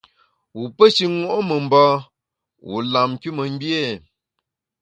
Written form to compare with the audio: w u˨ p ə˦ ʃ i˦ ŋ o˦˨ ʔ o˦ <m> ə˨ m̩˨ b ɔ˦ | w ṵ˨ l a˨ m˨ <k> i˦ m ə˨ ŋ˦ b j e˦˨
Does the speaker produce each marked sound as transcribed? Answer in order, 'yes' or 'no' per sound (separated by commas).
yes, yes